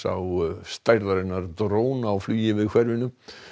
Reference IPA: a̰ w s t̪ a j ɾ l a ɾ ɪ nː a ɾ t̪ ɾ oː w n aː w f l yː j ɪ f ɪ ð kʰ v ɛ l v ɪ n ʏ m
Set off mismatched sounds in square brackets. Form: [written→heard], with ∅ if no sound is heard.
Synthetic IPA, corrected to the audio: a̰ w s t̪ a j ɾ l a ɾ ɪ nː a ɾ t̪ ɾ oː w n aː w f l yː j ɪ [f→v] ɪ ð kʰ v ɛ [l→ɾ] v ɪ n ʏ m